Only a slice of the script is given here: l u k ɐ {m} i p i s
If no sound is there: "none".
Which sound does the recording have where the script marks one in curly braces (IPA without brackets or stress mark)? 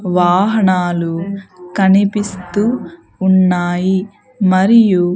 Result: n